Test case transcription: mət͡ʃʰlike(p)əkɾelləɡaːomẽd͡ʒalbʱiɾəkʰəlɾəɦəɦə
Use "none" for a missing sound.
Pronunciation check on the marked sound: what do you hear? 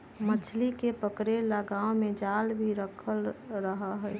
p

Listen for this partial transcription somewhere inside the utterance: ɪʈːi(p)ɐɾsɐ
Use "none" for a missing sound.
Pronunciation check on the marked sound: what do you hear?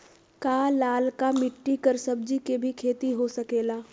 k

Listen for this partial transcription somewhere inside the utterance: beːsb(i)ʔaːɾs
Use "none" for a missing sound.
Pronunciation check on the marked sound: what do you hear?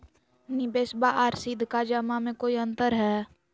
a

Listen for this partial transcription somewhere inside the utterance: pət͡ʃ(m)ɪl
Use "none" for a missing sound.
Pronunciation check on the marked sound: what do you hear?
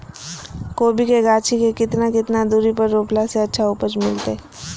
m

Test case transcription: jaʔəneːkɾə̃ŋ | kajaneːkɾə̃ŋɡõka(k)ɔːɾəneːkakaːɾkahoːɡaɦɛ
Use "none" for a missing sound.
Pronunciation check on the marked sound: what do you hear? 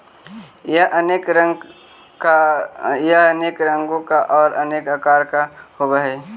ʔ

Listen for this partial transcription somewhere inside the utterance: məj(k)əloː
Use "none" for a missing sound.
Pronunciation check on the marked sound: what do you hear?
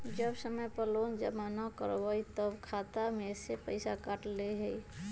p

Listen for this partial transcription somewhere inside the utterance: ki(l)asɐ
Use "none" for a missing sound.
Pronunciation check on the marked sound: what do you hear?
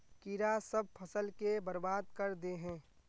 ɾ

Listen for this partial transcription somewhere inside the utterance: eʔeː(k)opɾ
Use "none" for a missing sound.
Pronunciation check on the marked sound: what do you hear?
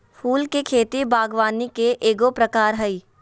ɡ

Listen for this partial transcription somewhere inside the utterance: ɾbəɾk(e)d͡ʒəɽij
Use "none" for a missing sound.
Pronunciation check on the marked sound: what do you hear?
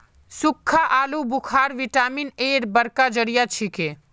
a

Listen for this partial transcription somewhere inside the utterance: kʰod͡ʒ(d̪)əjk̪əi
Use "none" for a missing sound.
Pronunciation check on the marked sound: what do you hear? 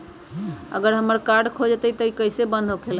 t̪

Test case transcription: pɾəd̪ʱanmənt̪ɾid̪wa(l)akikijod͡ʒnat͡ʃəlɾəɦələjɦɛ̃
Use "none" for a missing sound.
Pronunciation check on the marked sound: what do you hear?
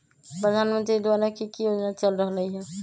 ɾ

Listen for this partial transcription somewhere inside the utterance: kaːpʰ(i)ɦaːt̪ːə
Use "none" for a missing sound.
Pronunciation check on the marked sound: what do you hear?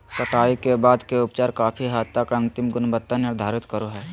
i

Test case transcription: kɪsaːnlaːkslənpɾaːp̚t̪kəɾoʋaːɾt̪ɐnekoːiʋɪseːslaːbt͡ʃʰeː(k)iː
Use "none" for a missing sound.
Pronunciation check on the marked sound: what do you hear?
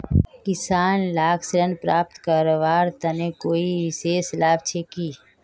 k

